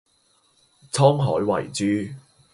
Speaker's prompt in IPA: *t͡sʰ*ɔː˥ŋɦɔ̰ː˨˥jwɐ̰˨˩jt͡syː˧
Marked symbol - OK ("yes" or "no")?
yes